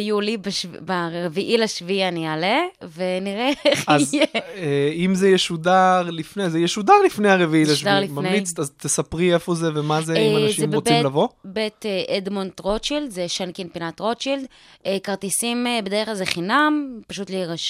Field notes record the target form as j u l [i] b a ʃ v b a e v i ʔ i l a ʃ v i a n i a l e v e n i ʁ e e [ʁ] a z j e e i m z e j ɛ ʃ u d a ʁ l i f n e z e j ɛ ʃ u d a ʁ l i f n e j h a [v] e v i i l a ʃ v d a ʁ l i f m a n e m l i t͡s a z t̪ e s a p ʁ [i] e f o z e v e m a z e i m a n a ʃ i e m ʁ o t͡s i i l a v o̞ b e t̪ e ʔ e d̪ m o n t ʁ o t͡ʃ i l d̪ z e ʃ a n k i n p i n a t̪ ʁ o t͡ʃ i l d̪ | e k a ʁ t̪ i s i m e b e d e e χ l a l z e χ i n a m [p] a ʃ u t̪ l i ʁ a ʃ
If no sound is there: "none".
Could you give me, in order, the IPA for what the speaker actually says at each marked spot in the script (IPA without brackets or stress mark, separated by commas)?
i, χ, ʁ, i, p